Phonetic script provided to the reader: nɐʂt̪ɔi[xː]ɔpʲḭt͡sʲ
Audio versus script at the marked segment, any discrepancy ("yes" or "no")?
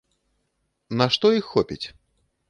no